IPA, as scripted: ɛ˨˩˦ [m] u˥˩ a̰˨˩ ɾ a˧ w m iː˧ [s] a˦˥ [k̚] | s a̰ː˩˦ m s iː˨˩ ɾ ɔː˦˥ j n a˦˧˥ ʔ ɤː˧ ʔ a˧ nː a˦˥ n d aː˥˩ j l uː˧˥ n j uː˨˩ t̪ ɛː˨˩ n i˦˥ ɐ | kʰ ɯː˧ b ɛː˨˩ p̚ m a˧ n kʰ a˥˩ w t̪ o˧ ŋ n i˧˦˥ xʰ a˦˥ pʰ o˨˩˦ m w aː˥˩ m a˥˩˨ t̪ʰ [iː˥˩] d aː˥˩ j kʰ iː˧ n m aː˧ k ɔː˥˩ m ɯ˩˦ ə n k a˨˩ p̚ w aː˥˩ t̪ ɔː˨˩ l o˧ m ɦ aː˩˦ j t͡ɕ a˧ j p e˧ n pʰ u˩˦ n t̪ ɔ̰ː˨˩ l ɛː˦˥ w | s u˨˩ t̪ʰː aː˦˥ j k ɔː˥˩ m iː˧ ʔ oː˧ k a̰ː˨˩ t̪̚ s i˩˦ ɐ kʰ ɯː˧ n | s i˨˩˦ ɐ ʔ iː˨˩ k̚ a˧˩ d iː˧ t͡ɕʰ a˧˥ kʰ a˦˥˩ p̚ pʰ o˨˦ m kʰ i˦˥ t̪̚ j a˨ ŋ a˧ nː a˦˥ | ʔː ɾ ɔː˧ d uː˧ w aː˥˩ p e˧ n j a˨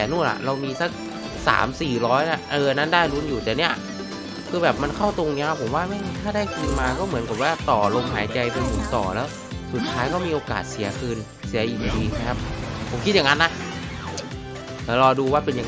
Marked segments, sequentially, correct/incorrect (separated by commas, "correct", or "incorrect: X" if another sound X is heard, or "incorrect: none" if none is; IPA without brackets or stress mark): incorrect: n, correct, correct, incorrect: aː˥˩